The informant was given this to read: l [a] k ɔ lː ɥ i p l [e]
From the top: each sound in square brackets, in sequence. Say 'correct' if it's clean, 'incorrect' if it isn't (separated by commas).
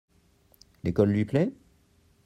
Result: incorrect, incorrect